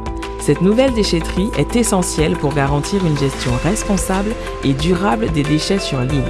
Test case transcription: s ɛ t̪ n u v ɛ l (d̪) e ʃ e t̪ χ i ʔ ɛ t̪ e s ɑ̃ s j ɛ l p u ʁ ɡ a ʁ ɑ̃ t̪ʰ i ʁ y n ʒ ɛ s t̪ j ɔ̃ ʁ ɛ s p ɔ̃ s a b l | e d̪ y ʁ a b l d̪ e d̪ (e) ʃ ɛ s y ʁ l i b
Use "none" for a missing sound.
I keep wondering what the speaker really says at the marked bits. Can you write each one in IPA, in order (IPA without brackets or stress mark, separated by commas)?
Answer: d̪, e